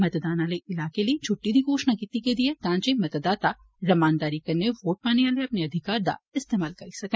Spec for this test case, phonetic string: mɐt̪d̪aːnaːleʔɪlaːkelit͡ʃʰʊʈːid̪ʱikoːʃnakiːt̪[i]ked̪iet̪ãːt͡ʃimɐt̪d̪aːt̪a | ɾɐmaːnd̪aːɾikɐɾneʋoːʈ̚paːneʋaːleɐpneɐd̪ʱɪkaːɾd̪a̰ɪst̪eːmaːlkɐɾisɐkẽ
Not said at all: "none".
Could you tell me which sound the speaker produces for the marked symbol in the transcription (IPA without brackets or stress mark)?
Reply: i